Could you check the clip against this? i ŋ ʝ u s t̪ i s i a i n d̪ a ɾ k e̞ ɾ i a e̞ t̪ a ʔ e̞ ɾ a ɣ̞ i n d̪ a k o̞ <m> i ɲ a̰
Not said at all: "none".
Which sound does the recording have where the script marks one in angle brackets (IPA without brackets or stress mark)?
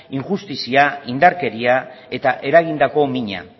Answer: m